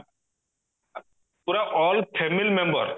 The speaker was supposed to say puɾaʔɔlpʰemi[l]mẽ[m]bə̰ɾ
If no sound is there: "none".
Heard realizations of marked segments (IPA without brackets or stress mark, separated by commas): l, m